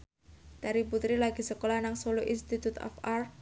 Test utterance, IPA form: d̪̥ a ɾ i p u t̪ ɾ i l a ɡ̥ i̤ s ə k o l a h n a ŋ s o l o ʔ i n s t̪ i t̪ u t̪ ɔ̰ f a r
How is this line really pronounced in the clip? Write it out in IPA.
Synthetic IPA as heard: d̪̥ a ɾ i p u t̪ ɾ i l a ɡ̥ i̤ s ə k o l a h n a ŋ s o l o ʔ i n s t̪ i t̪ u t̪ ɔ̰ f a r